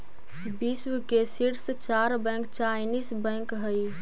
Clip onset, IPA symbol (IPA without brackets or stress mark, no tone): b